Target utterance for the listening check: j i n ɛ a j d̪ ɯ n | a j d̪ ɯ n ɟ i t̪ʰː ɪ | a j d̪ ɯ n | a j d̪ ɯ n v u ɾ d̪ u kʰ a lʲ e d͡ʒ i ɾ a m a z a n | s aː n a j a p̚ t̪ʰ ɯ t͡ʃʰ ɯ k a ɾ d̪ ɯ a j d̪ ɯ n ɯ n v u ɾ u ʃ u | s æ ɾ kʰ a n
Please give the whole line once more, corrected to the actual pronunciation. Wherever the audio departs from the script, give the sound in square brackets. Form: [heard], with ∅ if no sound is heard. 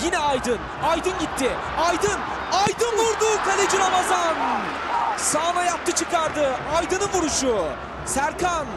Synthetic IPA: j i n ɛ a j d̪ ɯ n | a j d̪ ɯ n ɟ i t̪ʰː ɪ | a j d̪ ɯ n | a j d̪ ɯ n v u ɾ d̪ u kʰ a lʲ e d͡ʒ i ɾ a m a z a n | s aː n a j a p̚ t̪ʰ ɯ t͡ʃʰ ɯ k a ɾ d̪ ɯ a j d̪ ɯ n ɯ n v u ɾ u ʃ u | s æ ɾ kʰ a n